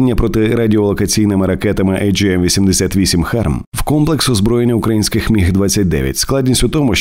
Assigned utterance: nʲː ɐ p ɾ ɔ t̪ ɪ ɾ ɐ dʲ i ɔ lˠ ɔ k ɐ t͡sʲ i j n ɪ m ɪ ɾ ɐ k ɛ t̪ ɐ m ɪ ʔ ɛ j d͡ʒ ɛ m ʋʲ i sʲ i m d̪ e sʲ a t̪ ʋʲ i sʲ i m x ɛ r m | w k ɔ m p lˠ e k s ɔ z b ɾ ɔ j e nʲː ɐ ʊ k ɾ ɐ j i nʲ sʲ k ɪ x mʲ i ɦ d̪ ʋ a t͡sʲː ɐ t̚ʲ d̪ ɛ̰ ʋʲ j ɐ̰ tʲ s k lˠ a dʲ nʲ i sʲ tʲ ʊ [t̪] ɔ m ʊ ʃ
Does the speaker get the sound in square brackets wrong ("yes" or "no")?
no